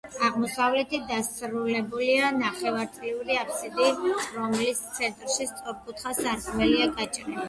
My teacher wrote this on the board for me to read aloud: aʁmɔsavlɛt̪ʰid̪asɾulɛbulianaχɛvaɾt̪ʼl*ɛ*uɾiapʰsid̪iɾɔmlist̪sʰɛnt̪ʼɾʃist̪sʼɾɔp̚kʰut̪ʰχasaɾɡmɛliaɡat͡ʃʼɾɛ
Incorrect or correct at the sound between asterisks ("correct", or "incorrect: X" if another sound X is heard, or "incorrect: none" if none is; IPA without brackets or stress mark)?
incorrect: i